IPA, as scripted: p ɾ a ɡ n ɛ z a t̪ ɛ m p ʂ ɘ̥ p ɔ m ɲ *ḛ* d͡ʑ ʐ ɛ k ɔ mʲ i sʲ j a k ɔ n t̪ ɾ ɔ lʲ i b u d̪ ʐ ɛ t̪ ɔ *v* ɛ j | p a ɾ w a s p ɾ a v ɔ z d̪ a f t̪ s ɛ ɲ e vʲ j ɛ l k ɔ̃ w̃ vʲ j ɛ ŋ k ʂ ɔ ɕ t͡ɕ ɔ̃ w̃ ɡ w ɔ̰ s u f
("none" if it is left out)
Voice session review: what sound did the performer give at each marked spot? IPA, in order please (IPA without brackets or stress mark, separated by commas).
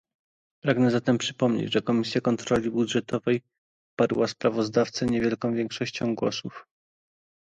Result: ḛ, v